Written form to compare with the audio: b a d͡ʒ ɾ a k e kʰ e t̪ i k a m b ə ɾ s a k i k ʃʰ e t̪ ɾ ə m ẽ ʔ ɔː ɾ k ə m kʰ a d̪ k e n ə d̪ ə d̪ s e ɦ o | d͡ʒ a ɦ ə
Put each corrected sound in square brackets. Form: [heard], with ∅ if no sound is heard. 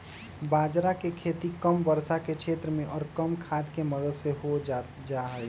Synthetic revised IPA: b a d͡ʒ ɾ a k e kʰ e t̪ i k [ə] m b ə ɾ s a k [e] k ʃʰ e t̪ ɾ ə m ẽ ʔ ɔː ɾ k ə m kʰ a d̪ k e [m] ə d̪ ə d̪ s e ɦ o | d͡ʒ a ɦ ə